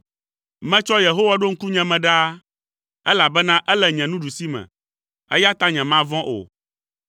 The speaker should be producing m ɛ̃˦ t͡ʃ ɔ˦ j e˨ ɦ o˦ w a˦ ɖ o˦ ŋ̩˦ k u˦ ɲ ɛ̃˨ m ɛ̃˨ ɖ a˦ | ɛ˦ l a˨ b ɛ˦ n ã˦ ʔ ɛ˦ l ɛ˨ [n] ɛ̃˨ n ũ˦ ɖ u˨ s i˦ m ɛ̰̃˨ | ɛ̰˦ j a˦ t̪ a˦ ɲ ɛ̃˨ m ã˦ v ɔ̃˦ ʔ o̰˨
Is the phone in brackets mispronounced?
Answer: yes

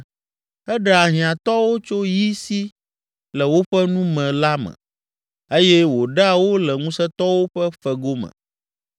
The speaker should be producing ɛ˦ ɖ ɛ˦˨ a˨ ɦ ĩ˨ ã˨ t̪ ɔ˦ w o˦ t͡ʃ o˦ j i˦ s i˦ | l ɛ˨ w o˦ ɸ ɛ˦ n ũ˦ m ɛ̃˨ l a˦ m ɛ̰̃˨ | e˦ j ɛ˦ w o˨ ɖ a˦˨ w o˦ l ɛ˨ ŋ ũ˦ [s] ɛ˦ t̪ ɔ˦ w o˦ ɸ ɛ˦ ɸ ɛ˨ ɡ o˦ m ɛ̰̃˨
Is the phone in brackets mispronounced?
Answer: no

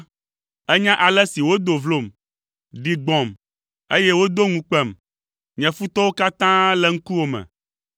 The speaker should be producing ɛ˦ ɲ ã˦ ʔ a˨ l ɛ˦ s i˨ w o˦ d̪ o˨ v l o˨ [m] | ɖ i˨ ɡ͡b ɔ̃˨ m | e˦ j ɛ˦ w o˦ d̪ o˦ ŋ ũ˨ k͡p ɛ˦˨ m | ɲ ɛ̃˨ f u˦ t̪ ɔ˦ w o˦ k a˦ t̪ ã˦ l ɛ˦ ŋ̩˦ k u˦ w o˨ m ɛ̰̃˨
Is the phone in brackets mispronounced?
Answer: no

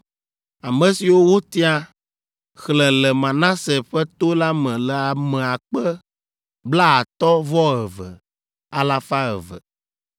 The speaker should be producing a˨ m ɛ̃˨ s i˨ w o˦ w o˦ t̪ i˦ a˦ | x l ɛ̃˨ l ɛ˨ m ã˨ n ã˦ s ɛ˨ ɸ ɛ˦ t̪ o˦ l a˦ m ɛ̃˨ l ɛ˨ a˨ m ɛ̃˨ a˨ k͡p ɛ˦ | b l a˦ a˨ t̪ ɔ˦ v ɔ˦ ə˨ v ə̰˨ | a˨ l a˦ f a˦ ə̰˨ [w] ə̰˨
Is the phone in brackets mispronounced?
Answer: yes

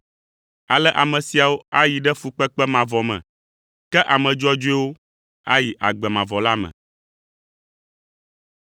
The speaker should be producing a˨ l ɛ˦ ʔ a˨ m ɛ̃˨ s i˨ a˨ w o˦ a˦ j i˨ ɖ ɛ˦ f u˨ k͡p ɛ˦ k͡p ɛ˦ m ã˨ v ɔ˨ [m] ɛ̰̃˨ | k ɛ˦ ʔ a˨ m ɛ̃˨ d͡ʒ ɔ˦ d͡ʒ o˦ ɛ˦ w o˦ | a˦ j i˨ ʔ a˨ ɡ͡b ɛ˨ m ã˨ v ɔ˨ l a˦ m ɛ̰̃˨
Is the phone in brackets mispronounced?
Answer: no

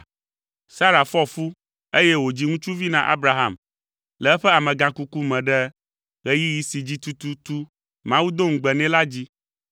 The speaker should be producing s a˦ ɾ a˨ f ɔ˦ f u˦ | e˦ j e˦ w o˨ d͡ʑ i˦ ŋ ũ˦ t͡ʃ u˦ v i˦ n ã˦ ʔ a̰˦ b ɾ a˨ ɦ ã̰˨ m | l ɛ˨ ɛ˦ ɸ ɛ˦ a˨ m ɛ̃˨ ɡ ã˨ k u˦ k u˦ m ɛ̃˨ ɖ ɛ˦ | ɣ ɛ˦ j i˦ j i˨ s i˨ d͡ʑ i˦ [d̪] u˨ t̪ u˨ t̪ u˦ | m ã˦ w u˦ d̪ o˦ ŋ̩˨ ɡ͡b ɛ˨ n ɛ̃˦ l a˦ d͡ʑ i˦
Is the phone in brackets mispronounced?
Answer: yes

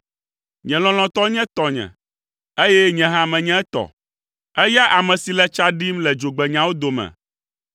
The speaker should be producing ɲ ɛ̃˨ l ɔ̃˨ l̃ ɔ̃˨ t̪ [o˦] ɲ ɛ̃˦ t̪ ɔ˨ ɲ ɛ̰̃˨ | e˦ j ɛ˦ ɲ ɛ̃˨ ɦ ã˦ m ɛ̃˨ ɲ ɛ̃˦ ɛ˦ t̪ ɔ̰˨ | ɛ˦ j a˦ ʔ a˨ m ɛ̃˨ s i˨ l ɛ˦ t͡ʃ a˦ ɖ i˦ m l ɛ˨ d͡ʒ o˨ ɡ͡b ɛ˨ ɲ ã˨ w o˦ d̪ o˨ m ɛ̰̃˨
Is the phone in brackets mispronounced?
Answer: yes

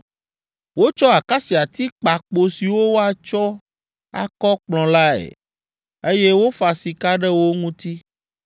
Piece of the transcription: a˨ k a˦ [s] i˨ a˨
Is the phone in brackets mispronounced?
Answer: no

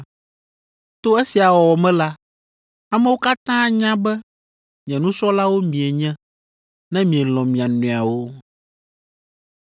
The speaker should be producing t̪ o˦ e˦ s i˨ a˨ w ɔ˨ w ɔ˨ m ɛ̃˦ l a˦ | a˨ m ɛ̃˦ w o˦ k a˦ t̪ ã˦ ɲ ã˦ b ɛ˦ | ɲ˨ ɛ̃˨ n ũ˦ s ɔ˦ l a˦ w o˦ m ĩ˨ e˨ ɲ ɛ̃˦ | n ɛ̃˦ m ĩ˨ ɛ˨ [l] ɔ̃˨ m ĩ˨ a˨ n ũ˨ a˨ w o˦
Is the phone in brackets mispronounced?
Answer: no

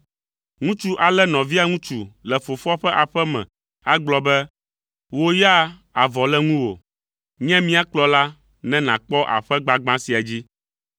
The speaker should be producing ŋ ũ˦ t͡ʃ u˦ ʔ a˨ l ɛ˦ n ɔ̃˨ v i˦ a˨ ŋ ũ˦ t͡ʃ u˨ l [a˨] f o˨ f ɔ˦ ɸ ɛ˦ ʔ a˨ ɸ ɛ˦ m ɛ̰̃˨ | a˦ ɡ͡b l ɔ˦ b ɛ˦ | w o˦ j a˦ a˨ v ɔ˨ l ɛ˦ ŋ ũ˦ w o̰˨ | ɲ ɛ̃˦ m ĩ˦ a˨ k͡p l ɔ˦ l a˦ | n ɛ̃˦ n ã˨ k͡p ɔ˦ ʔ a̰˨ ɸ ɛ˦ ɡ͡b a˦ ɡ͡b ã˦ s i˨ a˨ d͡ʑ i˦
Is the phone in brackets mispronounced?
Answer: yes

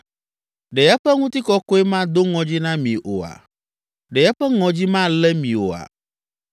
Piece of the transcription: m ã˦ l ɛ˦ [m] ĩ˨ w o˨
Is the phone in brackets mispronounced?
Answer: no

